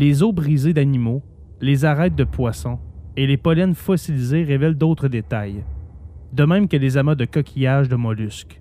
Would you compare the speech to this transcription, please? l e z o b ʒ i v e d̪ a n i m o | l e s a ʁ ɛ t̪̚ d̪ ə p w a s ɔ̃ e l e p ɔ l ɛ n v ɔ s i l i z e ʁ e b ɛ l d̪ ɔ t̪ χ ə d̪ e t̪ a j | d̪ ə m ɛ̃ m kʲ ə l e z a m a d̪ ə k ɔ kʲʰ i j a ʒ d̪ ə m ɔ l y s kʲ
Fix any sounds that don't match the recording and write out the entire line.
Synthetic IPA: l e z o b ʁ i z e d̪ a n i m o | l e z a ʁ ɛ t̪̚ d̪ ə p w a s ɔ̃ e l e p ɔ l ɛ n f ɔ s i l i z e ʁ e v ɛ l d̪ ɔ t̪ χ ə d̪ e t̪ a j | d̪ ə m ɛ̃ m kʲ ə l e z a m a d̪ ə k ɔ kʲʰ i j a ʒ d̪ ə m ɔ l y s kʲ